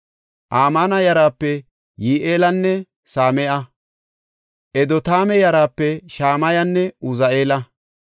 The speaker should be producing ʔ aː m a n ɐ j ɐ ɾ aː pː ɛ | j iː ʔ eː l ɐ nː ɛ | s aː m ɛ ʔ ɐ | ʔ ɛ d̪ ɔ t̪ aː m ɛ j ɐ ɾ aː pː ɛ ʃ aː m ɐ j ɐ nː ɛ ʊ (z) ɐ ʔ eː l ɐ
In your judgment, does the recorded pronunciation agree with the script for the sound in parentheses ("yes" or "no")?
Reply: yes